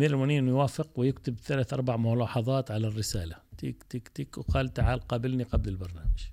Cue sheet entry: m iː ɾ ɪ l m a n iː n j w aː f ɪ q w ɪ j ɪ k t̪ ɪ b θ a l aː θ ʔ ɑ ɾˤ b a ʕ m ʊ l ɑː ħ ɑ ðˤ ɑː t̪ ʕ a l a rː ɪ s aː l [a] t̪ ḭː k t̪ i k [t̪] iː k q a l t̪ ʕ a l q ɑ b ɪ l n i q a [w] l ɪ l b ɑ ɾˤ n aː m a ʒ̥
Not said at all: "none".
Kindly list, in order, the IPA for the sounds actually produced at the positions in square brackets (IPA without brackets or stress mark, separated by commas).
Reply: a, t̪, b